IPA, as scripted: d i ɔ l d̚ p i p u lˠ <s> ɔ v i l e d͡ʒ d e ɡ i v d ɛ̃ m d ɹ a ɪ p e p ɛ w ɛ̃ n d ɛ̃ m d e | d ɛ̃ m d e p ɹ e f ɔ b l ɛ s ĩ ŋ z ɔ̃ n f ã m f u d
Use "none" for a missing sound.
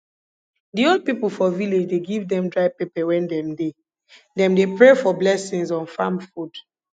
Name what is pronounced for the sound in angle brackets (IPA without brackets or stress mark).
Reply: f